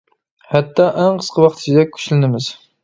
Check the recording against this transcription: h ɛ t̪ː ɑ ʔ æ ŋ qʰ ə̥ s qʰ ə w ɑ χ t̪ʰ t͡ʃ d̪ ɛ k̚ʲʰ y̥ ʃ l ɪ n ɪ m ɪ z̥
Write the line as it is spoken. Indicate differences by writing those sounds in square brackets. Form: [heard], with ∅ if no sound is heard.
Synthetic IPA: h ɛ t̪ː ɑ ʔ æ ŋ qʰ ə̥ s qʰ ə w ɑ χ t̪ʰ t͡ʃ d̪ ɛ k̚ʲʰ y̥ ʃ l ɪ n ɪ m ɪ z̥